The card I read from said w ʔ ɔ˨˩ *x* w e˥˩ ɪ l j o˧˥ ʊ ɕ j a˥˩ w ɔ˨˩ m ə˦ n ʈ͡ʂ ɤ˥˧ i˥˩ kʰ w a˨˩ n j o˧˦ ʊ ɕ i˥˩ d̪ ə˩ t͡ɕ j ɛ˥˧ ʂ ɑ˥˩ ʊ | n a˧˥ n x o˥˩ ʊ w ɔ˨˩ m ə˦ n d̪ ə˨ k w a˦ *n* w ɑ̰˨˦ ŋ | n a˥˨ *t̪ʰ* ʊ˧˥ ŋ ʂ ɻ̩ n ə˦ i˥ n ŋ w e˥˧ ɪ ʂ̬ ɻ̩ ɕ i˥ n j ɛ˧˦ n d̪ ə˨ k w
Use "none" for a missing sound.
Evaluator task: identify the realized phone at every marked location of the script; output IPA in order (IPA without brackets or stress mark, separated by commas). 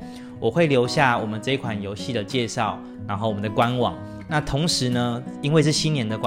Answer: x, n, t̪ʰ